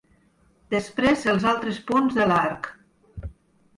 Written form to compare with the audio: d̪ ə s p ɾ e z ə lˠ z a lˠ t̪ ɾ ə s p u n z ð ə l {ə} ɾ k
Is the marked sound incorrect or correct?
incorrect